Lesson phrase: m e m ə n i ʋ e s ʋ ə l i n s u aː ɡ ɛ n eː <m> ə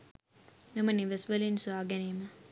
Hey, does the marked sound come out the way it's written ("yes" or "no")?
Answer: yes